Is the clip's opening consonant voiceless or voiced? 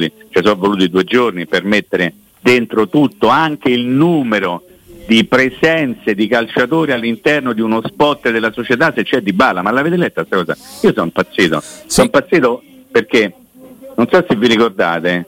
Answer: voiceless